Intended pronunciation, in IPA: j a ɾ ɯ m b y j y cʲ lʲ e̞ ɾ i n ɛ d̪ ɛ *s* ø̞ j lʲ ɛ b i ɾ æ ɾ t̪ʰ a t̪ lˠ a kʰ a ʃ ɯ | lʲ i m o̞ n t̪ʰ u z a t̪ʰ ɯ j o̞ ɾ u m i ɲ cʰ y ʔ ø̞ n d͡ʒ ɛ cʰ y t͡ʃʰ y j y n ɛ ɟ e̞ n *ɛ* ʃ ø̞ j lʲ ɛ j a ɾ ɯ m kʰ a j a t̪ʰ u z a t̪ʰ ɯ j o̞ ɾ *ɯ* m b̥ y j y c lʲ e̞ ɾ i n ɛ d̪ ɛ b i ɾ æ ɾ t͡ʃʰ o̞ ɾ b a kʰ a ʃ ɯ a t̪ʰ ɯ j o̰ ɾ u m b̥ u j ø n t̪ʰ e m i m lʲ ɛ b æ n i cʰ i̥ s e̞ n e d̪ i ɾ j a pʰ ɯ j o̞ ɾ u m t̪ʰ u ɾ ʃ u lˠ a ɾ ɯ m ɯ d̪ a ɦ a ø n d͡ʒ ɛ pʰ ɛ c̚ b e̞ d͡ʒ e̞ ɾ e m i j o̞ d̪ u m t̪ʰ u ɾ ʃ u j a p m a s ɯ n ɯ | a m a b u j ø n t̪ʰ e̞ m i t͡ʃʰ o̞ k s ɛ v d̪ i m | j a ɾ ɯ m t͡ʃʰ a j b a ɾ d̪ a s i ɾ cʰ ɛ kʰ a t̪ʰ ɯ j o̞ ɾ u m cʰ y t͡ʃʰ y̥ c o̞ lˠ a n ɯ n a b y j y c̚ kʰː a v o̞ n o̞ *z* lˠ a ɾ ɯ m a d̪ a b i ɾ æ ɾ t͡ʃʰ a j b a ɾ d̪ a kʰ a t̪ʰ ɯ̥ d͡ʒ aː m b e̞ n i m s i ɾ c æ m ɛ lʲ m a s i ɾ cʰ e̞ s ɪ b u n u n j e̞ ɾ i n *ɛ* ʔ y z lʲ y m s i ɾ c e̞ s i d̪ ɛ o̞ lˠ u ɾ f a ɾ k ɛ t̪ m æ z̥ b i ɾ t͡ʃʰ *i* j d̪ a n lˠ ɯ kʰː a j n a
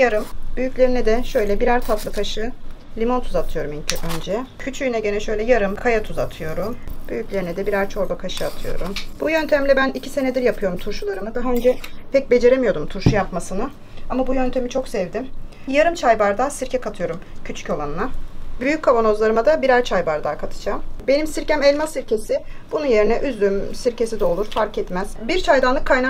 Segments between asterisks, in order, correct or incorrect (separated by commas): incorrect, correct, incorrect, correct, correct, incorrect